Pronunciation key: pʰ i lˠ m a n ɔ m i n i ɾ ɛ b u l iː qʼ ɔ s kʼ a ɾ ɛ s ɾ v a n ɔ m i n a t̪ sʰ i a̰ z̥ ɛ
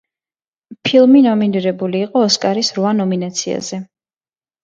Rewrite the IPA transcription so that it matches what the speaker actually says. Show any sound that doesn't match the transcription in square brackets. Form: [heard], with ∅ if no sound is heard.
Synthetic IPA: pʰ i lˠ m [i] n ɔ m i n i ɾ ɛ b u l iː qʼ [ɔː] s kʼ a ɾ [i] s ɾ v a n ɔ m i n a t̪ sʰ i a̰ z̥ ɛ